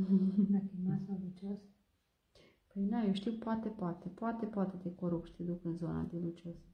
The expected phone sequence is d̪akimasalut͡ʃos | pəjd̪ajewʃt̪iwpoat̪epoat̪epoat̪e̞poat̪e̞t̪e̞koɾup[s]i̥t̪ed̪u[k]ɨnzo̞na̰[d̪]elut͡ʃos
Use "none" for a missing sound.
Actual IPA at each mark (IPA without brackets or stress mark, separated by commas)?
ʃ, k, d̪